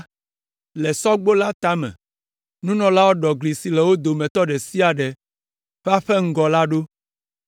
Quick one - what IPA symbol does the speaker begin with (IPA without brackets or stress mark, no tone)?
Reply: l